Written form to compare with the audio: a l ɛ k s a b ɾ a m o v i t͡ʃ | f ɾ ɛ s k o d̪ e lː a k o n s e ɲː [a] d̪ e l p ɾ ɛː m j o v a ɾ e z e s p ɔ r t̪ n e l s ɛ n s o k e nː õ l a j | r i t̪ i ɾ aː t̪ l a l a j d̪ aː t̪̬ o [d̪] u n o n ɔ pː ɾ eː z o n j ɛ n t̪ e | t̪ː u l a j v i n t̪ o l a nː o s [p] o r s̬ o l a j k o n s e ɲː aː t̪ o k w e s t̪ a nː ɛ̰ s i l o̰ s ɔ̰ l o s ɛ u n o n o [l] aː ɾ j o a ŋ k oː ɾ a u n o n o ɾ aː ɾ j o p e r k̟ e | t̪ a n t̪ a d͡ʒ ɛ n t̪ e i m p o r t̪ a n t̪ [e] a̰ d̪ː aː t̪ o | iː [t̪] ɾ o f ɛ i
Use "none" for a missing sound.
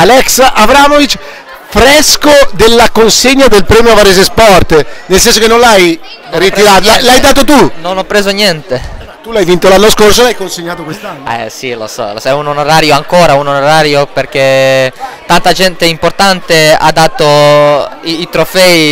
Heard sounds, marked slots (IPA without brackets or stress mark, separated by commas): a, t̪, k, ɾ, e, t̪